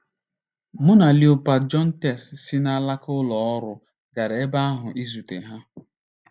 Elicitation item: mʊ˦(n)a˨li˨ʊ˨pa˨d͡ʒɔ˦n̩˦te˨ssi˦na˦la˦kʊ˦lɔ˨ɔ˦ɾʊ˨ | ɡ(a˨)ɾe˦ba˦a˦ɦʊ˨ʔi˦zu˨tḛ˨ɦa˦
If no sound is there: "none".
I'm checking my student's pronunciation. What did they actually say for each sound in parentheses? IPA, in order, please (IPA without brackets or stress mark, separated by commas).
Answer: n, a˨